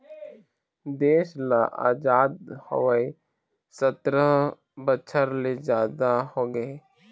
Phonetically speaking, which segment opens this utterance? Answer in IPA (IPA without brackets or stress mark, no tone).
d̪